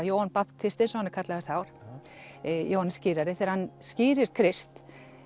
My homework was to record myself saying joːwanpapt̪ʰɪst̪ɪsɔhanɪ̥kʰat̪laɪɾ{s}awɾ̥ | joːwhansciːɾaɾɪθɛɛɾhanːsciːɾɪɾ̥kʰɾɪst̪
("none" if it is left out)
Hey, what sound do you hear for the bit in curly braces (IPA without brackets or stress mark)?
θ